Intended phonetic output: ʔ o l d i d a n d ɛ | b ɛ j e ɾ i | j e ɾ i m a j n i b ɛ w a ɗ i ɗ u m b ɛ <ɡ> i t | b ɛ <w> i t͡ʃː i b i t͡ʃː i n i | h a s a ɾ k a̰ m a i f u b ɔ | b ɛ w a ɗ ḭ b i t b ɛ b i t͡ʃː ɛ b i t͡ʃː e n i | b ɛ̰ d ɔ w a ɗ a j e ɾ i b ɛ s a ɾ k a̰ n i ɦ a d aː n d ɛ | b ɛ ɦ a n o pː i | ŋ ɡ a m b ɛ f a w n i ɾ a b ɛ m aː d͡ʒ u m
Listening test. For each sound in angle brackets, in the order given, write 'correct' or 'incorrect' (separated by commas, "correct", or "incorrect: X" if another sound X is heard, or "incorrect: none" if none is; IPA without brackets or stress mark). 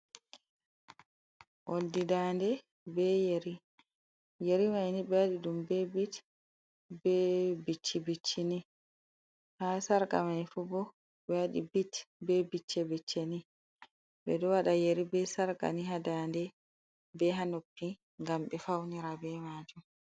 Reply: incorrect: b, incorrect: b